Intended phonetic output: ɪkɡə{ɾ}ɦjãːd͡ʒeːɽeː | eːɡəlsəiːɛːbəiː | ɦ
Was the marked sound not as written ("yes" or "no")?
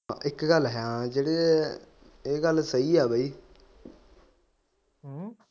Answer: yes